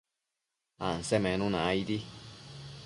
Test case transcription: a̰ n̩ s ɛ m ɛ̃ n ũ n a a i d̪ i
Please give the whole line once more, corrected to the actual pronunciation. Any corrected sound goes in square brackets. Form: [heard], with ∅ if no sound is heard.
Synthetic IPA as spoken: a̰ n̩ s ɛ m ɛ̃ n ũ n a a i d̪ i